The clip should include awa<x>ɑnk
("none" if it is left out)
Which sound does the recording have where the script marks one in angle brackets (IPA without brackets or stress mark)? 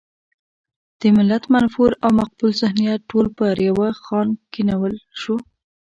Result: x